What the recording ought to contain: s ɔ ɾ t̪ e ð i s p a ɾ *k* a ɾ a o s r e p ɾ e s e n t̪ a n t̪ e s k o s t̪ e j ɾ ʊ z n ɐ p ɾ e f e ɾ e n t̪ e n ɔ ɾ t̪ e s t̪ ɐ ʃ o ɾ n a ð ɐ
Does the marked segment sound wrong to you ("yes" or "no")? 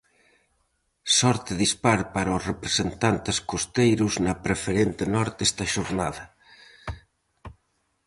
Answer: yes